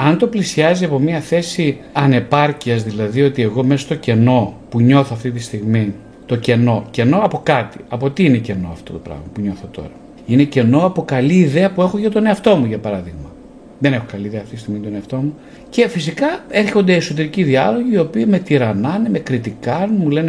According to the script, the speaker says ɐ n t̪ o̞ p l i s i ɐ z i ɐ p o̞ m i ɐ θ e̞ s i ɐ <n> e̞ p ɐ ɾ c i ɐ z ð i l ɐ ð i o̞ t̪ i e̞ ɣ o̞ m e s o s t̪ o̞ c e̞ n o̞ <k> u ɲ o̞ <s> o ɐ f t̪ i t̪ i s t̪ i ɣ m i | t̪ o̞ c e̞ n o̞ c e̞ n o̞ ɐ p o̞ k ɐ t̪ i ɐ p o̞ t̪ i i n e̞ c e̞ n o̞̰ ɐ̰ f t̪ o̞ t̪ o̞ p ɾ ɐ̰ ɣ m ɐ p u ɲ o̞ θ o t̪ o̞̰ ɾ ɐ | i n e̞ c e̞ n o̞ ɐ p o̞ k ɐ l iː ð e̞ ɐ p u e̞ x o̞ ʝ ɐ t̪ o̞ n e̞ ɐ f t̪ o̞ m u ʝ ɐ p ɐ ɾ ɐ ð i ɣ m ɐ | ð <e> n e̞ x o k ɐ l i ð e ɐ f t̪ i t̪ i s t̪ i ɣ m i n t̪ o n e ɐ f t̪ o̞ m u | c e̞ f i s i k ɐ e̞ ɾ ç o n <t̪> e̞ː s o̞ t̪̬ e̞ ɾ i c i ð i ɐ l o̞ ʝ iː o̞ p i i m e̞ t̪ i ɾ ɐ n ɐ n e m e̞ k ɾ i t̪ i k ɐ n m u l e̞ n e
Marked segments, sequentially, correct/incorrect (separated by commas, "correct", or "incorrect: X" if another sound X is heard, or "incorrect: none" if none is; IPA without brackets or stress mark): correct, incorrect: p, incorrect: θ, correct, incorrect: d̪